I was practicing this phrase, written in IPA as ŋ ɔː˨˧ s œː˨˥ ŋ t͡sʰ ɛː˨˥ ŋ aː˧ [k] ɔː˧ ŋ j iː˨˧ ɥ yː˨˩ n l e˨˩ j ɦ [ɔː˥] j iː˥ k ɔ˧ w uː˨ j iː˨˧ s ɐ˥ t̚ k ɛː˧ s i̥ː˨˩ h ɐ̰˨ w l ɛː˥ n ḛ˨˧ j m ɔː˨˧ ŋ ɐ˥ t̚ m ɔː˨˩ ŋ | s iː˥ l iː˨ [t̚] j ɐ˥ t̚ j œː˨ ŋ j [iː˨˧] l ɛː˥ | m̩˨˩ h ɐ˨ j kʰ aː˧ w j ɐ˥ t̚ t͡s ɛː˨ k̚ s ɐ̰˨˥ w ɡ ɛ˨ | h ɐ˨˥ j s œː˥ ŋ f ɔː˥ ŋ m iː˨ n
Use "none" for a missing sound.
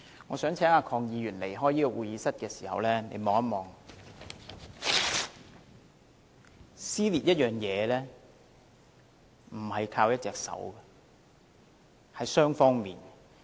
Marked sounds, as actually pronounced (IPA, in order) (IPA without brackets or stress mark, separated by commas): kʰ, ɔː˥, t̚, ɛː˨˧